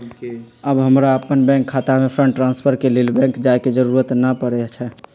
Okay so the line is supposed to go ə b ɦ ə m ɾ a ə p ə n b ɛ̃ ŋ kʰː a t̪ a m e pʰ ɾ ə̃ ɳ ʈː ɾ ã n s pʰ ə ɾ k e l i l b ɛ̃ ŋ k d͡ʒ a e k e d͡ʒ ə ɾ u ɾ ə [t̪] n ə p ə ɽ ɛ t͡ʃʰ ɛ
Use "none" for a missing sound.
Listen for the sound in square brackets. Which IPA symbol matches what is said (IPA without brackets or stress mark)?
t̪